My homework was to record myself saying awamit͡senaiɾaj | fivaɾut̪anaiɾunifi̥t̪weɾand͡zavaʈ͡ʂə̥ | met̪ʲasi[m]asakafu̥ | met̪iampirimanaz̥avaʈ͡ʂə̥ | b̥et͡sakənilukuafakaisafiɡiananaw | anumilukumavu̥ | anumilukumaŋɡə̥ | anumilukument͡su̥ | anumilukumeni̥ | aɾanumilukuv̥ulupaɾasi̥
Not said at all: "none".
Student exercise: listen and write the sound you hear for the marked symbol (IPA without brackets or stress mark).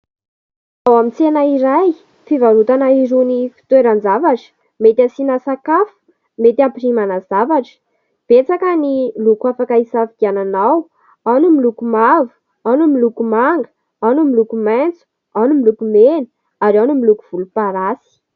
n